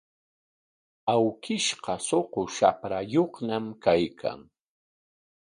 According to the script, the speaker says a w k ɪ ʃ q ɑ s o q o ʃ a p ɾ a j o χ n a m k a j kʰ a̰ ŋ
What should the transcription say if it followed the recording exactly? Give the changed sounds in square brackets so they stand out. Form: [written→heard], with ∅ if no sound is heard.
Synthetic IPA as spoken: a w k ɪ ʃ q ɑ s o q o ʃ a p ɾ a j o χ n a m k a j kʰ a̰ ŋ